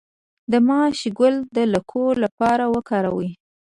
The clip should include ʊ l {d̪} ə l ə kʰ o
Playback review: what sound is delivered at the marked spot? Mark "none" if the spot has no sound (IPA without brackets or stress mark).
d̪